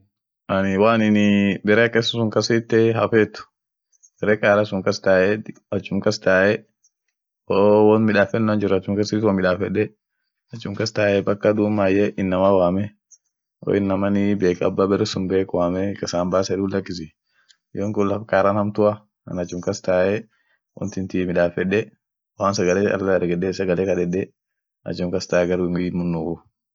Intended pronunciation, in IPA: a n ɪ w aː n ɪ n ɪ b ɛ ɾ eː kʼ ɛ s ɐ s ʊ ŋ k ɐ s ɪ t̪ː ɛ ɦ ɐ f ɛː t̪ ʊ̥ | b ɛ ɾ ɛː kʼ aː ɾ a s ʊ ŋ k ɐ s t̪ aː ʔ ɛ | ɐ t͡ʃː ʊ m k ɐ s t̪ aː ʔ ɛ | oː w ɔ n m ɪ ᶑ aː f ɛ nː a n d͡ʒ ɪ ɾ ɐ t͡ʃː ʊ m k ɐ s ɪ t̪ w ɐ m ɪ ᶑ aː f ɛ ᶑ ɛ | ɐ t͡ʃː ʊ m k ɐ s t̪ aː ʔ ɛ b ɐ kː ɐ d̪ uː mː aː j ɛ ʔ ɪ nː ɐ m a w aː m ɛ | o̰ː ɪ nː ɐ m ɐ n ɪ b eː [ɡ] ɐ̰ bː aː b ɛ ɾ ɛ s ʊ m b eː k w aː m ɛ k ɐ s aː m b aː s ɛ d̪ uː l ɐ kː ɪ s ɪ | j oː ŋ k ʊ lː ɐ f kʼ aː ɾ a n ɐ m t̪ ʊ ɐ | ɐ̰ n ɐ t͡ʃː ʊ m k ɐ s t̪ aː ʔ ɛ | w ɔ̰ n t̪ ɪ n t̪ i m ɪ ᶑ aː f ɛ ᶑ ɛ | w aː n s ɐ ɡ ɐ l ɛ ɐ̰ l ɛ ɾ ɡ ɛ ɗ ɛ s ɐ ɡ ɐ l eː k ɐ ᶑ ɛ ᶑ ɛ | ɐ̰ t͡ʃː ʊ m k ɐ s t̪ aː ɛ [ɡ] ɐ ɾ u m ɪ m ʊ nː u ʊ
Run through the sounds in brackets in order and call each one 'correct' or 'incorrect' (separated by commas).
incorrect, correct